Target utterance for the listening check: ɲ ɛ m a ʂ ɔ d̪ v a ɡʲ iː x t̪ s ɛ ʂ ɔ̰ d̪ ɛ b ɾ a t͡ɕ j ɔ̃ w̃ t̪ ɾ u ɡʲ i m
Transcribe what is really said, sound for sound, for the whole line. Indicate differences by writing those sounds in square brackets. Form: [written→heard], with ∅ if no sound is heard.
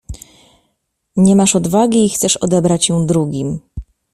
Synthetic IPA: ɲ ɛ m a ʂ ɔ d̪ v a ɡʲ iː x t̪ s ɛ ʂ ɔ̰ d̪ ɛ b ɾ a t͡ɕ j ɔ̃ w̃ [t̪→d̪] ɾ u ɡʲ i m